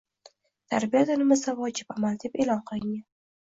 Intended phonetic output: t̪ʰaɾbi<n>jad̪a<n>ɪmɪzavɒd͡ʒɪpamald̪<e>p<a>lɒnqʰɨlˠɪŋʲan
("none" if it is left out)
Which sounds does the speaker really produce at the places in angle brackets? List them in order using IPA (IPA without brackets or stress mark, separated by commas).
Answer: none, n, e, e